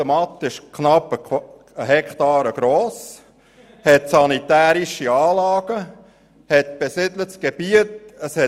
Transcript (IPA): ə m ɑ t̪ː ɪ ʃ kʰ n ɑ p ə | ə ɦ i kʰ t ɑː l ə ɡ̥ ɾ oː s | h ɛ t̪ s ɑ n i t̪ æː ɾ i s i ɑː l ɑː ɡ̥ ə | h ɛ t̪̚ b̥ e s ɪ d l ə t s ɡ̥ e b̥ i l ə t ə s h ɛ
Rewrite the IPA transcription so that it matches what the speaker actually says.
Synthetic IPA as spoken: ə m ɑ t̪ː ɪ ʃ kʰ n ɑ p ə | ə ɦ ɛ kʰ t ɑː ɾ ə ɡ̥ ɾ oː s | h ɛ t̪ s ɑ n i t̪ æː ɾ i ʃ i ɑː l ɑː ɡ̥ ə | h ɛ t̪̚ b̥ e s ɪ d l ə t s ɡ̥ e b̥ i ə t ə s h ɛ

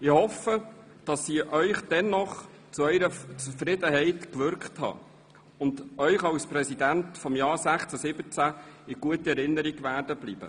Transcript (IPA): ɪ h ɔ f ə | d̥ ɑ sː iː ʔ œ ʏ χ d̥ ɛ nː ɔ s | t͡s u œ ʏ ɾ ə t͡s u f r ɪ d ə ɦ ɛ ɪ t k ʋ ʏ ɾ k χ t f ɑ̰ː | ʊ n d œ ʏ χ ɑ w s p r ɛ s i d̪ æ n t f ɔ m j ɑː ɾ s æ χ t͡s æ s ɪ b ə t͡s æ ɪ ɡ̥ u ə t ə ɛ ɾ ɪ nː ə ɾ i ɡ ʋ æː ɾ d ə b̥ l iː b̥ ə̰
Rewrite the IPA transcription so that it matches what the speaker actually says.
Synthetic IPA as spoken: ɪ h ɔ f ə | d̥ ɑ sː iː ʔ œ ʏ χ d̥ ɛ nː ɔ χ | t͡s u œ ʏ ɾ ə t͡s u f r ɪ d ə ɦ ɛ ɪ t k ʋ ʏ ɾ k χ t h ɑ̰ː | ʊ n d œ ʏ χ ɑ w s p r ɛ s i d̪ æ n t f ɔ m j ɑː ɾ s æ χ t͡s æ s ɪ b ə t͡s æ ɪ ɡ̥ u ə t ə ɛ ɾ ɪ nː ə ɾ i ɡ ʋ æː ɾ d ə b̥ l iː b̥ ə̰

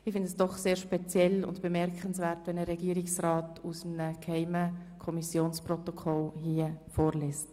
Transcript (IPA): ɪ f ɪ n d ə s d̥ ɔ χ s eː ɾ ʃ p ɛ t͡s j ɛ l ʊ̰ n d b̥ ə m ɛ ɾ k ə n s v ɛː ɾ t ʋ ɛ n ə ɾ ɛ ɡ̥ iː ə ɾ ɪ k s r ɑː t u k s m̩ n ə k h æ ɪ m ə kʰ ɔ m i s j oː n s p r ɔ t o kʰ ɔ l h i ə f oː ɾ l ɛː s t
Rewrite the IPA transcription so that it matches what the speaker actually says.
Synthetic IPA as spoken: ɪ f ɪ n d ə s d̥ ɔ χ s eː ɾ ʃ p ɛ t͡s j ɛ l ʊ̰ n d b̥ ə m ɛ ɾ k ə n s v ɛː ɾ t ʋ ɛ n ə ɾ ɛ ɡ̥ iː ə ɾ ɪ k s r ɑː t u s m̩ n ə k h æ ɪ m ə kʰ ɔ m i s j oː n s p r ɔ t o kʰ ɔ l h i ə f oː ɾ l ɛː s t

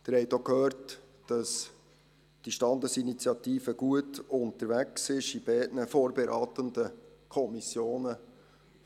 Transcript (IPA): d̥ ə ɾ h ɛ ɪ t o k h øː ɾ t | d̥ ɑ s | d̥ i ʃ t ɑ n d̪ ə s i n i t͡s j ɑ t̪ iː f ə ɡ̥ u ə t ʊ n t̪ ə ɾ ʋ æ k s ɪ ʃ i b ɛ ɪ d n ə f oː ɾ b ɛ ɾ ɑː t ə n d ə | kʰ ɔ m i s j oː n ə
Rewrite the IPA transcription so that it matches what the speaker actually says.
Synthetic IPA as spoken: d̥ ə ɾ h ɛ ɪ t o k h øː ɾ t | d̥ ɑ s | d̥ i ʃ t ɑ n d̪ ə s i n i t͡s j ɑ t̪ iː f ə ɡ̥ u ə t ʊ n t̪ ə ɾ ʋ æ k s ɪ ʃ i b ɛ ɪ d n ə f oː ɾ b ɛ ɾ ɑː t ə n d ə | kʰ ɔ m i s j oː n ə

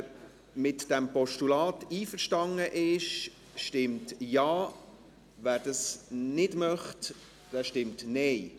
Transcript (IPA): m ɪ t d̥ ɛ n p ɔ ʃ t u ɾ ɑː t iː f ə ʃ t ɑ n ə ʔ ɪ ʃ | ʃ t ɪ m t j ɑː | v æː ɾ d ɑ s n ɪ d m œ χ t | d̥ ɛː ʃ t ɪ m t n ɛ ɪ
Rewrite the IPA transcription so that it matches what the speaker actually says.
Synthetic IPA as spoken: m ɪ t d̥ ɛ m p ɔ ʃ t u l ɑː t iː f ə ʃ t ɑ ŋ ə ʔ ɪ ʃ | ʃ t ɪ m t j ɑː | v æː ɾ d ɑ s n ɪ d m œ χ t | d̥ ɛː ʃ t ɪ m t n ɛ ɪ

